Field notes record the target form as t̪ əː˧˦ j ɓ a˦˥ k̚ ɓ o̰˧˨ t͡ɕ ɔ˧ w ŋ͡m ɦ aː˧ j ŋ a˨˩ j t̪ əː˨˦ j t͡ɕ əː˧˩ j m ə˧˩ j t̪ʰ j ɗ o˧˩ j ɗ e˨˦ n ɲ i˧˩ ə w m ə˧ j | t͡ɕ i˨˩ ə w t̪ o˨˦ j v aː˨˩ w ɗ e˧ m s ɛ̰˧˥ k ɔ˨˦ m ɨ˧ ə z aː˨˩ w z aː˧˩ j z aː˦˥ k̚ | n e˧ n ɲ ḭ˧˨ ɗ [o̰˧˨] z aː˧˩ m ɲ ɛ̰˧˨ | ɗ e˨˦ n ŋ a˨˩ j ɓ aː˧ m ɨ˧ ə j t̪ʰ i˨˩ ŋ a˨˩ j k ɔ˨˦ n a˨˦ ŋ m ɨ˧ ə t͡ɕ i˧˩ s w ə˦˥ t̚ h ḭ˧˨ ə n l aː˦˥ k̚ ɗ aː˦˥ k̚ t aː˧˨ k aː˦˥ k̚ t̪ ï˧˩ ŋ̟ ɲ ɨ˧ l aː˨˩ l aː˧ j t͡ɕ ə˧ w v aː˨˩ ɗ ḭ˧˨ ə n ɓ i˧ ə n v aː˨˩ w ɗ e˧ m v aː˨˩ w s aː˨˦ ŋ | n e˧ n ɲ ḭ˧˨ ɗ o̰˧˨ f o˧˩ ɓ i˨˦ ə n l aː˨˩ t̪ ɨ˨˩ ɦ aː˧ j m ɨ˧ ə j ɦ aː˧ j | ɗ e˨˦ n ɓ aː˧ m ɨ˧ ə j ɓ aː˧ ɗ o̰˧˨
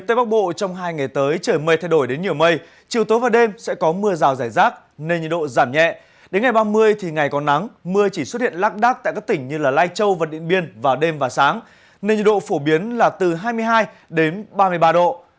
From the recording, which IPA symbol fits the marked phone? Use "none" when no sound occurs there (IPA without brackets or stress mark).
o̰˧˨